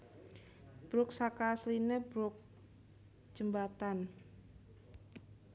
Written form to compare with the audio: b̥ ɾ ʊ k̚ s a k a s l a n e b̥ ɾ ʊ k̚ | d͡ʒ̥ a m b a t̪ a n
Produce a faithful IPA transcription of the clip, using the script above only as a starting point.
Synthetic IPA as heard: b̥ ɾ ʊ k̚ s a k a s l i n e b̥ ɾ ʊ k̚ | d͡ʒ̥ ə m b a t̪ a n